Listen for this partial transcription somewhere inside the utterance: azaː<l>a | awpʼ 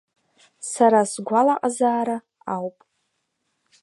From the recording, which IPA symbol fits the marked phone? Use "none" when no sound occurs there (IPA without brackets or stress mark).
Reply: ɾ